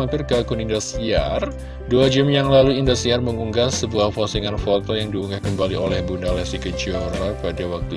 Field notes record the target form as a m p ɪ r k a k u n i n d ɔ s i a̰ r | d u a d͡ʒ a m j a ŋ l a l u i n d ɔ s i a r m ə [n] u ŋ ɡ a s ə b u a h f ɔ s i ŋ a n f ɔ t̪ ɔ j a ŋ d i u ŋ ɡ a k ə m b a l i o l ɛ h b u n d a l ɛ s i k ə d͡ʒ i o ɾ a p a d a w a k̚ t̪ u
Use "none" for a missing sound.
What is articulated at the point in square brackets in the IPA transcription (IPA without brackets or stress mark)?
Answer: ŋ